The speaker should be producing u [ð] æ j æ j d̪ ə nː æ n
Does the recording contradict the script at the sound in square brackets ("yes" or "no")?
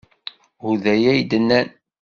no